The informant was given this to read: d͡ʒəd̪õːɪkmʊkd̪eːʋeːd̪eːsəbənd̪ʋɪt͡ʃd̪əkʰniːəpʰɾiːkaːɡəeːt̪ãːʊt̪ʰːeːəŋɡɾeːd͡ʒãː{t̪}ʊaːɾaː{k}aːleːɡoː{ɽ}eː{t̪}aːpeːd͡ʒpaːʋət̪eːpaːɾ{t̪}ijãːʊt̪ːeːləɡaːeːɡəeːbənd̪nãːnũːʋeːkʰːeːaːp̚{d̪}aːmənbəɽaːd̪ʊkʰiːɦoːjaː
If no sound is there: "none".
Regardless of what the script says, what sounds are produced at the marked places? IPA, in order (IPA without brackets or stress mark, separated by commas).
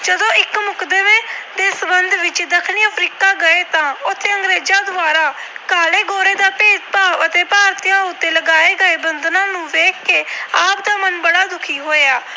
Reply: d̪, k, ɾ, d̪, t̪, d̪